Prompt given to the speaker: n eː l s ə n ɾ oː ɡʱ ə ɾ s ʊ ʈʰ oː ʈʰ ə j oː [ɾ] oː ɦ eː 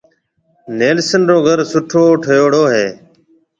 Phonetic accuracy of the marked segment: incorrect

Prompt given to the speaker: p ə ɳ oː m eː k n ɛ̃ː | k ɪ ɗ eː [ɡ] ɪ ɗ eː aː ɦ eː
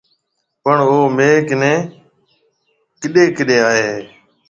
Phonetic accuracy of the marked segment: incorrect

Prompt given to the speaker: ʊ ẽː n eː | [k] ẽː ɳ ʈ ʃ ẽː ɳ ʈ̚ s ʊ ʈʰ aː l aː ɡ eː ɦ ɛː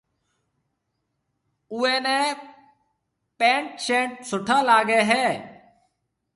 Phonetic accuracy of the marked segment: incorrect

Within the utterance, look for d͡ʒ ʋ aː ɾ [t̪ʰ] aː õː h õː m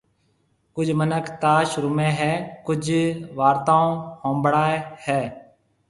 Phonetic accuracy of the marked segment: incorrect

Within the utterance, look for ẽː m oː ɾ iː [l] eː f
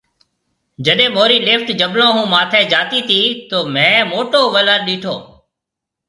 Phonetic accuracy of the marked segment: correct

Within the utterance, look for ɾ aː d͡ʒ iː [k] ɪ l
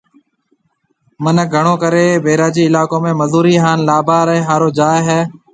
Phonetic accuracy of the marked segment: incorrect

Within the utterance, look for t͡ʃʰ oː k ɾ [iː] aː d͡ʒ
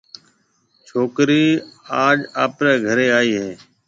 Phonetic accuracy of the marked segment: correct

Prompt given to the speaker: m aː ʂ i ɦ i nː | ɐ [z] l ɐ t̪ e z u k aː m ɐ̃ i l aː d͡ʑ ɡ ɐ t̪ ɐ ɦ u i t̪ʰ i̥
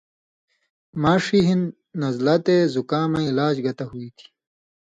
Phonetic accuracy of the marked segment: correct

